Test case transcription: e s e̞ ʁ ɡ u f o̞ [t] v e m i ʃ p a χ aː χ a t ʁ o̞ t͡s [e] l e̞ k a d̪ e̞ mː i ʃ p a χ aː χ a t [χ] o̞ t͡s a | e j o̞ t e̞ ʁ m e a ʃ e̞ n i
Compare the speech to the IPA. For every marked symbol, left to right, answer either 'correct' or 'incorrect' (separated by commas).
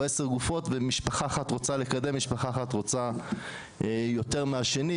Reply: correct, incorrect, incorrect